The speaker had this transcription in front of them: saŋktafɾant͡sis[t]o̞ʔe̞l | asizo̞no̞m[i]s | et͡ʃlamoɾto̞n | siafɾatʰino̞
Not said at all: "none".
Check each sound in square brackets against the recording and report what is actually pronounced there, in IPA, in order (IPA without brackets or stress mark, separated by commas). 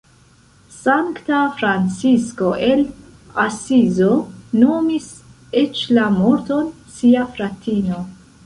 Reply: k, i